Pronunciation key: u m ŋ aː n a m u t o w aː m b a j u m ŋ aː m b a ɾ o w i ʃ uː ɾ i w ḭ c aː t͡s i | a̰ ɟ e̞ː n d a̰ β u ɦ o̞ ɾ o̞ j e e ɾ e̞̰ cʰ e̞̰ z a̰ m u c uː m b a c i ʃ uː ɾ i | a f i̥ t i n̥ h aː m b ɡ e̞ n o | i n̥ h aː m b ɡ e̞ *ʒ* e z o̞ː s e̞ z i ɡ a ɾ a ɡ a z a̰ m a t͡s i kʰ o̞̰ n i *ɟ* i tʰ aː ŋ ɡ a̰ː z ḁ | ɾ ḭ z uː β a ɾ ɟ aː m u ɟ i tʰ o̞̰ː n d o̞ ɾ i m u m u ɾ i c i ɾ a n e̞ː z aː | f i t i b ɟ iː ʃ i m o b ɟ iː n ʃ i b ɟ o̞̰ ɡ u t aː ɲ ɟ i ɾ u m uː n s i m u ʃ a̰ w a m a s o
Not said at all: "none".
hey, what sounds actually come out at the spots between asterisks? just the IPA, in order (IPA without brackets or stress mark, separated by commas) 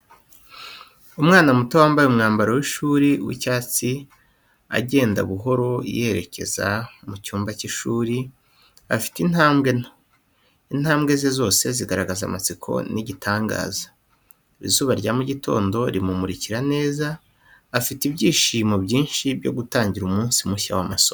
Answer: z, ɟ